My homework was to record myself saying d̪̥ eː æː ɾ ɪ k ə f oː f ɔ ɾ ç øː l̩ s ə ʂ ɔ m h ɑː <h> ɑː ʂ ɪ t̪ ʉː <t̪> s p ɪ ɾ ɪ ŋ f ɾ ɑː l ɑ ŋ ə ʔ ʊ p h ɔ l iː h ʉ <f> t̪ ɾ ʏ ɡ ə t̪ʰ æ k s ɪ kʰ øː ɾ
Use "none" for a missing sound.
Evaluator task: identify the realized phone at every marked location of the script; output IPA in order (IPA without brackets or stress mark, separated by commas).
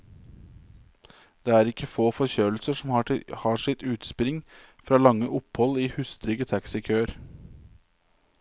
h, t̪, s